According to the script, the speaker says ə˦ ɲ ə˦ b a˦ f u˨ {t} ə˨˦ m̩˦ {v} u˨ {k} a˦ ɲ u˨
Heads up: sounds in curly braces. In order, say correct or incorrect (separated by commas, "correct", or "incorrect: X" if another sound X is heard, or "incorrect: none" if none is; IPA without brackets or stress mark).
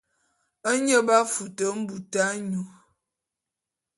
correct, incorrect: b, incorrect: t